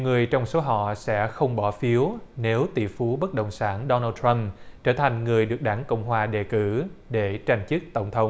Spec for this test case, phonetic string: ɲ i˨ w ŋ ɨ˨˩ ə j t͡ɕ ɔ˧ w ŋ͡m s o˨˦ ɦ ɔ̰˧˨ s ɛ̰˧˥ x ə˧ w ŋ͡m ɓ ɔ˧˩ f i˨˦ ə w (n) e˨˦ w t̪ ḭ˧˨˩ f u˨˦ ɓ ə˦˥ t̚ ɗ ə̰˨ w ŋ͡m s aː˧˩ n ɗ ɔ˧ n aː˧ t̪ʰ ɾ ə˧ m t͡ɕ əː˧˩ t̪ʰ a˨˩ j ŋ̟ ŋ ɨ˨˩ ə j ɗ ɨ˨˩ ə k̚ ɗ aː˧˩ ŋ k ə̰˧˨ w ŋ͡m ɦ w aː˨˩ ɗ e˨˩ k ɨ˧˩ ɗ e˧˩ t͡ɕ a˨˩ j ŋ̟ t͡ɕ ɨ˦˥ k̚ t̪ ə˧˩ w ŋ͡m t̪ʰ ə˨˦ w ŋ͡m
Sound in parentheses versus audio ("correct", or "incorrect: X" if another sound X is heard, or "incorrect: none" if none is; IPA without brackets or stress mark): correct